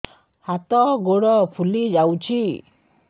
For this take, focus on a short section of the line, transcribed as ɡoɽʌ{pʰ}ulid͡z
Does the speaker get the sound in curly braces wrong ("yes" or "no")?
no